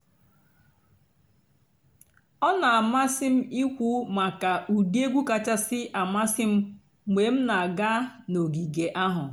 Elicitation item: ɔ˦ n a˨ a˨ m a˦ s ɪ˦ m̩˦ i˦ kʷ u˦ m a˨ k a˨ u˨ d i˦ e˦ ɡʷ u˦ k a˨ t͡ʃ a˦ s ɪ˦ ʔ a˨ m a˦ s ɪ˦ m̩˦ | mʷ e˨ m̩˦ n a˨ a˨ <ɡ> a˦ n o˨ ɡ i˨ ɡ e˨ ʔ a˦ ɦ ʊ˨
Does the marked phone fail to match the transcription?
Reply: no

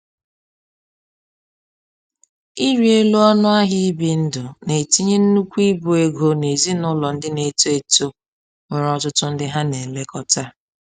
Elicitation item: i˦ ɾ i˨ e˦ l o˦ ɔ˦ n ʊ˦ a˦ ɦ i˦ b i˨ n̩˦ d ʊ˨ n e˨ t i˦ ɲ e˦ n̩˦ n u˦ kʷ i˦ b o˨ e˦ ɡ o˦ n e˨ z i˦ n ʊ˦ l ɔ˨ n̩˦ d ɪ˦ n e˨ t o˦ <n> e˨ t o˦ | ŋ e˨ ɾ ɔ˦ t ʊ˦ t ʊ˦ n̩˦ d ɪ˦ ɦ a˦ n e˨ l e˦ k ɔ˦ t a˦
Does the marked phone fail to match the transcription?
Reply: yes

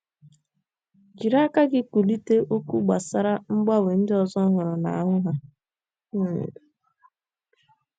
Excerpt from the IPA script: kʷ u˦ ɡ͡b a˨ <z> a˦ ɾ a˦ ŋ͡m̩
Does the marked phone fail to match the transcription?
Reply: yes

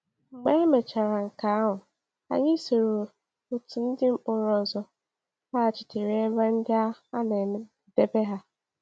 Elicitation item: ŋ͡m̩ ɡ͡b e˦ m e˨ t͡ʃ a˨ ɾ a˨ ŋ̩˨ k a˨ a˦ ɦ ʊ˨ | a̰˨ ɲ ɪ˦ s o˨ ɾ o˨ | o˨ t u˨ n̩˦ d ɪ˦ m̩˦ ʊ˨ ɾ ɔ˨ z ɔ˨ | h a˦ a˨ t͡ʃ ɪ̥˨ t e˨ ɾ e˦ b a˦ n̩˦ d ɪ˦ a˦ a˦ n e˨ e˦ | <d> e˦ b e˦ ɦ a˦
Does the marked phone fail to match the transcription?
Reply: no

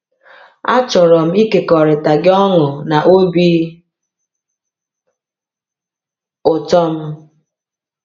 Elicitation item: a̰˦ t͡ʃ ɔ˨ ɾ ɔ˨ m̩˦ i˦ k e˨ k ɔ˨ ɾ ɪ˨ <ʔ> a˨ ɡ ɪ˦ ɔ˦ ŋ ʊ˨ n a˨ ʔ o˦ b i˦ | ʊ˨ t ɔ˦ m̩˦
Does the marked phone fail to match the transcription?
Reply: yes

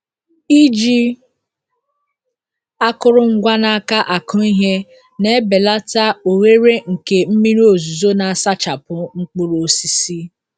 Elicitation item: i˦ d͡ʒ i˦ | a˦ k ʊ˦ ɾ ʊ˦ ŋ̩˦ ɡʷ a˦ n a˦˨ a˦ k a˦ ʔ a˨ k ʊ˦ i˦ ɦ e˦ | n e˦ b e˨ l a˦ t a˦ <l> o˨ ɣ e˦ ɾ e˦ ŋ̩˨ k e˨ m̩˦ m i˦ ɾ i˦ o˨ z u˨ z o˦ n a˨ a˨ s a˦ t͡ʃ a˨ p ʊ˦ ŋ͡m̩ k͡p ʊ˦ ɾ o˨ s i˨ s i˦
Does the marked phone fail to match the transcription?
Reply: yes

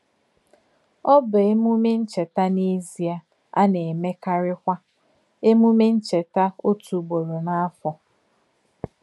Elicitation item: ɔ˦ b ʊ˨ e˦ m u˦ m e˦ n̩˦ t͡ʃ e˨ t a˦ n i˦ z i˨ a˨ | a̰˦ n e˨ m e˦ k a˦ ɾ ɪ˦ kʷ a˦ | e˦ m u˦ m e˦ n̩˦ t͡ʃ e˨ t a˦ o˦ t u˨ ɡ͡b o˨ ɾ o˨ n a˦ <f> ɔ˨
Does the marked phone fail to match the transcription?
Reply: no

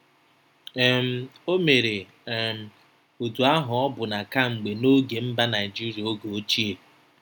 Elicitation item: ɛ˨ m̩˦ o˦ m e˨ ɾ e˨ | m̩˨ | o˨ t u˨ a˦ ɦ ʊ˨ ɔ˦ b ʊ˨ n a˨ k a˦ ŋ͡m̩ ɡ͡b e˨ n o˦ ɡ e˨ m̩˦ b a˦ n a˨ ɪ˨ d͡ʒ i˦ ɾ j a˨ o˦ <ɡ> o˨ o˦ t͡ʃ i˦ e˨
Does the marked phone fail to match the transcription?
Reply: no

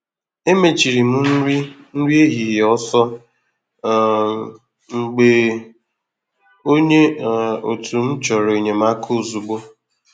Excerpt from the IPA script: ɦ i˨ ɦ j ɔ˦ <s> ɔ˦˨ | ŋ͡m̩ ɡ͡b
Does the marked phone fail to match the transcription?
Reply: no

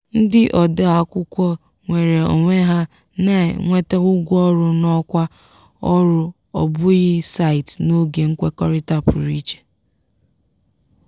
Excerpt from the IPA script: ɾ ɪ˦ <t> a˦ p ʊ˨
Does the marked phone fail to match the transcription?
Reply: no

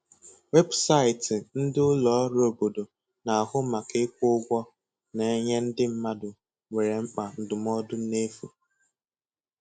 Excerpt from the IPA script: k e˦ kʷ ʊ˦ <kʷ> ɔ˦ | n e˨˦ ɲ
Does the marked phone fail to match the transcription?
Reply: yes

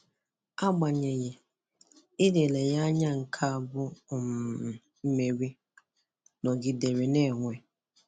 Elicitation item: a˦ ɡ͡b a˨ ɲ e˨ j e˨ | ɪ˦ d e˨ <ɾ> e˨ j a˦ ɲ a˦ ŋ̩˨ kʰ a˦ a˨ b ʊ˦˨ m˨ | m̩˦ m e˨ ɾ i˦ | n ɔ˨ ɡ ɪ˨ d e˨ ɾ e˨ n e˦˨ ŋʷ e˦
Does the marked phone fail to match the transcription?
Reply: yes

